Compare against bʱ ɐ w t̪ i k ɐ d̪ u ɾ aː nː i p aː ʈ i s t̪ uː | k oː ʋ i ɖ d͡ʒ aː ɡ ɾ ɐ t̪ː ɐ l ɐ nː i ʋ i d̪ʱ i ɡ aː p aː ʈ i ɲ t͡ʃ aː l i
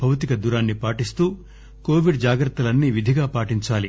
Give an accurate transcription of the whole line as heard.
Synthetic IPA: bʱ ɐ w t̪ i k ɐ d̪ u ɾ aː nː i p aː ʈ i s t̪ uː | k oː ʋ i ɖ d͡ʒ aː ɡ ɾ ɐ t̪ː ɐ l ɐ nː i ʋ i d̪ʱ i ɡ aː p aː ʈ i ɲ t͡ʃ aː l i